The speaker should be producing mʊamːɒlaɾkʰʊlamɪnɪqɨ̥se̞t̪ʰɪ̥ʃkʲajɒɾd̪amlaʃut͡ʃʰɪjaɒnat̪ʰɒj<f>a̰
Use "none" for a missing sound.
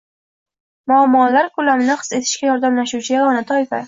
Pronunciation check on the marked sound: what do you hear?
f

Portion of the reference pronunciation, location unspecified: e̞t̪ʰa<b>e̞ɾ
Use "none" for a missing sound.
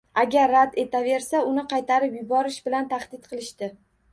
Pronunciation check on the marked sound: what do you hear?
v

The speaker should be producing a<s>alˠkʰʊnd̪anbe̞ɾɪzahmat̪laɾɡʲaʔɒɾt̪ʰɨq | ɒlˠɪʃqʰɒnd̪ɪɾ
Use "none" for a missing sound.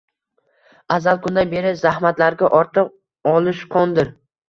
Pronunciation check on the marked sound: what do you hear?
z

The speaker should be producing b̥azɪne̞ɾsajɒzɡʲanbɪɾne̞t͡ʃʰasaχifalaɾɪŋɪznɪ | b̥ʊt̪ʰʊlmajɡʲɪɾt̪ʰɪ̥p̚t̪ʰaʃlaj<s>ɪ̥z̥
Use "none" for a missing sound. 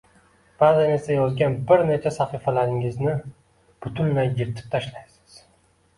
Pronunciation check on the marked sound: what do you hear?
s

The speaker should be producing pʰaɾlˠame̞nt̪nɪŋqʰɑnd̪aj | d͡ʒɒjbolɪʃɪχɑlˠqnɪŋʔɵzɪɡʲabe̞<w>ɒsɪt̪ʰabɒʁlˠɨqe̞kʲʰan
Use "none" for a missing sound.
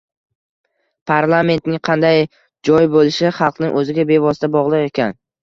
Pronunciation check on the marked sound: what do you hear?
v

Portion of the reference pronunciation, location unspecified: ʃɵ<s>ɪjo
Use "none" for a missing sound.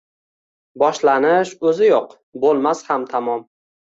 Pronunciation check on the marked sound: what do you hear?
z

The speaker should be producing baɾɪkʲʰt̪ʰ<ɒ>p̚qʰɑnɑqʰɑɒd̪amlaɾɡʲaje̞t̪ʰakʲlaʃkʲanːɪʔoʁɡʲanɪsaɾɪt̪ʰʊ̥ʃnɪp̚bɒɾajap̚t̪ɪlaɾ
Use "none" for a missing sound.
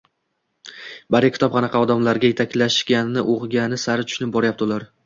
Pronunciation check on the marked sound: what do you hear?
ɒ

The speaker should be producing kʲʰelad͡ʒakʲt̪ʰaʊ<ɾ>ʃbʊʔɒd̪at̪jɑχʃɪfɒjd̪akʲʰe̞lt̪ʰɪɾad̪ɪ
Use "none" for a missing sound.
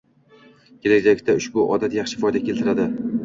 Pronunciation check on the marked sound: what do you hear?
none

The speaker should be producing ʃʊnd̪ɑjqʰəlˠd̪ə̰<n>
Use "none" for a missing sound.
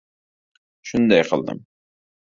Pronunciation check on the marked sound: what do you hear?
m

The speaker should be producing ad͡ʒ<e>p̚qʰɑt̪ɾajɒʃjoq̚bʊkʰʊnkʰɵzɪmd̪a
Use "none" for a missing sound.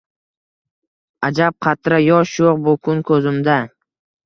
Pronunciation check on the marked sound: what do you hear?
a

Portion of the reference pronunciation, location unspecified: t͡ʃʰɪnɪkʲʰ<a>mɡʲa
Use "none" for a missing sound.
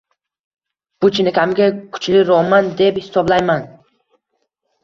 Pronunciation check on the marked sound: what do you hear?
a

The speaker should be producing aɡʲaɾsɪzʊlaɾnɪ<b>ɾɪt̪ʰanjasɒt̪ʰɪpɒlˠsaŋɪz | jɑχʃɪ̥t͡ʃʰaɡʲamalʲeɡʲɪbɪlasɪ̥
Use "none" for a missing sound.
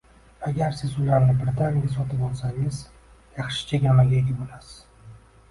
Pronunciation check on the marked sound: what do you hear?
b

